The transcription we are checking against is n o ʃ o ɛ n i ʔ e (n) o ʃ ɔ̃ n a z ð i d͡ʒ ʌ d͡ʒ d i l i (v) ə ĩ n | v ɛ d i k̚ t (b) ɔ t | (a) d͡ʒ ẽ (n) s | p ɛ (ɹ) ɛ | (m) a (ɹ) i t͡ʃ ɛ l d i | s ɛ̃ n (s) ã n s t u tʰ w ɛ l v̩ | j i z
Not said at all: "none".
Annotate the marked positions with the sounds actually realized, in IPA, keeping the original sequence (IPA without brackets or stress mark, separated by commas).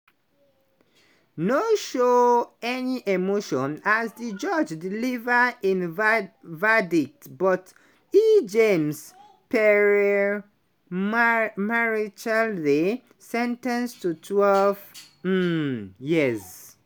m, v, b, i, m, ɹ, m, ɹ, t